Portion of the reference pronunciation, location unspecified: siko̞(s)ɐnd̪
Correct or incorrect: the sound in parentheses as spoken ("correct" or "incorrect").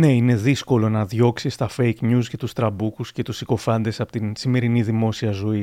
incorrect